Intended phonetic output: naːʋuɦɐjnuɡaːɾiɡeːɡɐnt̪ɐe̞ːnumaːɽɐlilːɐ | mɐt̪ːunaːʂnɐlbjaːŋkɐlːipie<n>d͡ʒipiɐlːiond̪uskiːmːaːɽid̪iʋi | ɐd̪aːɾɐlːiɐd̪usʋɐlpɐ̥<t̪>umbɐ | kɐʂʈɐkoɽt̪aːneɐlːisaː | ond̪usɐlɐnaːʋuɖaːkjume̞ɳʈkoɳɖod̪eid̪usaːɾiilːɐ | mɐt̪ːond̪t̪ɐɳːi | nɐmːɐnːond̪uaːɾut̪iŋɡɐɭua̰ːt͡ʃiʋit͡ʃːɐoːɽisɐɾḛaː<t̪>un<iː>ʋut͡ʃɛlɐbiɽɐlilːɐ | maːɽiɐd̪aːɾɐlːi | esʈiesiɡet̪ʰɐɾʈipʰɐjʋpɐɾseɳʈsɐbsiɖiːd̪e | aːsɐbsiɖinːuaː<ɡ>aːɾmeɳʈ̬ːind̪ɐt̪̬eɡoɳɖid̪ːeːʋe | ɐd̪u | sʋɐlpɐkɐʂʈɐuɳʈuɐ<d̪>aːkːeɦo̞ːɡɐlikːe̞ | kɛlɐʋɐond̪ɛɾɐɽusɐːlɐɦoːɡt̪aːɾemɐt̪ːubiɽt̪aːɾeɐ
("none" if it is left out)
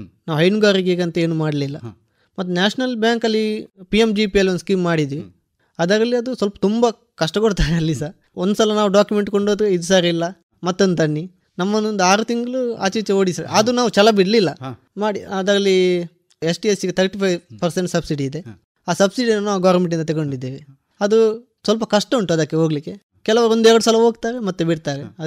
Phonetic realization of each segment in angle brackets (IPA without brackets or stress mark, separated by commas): m, t̪, d̪, aː, ɡ, d̪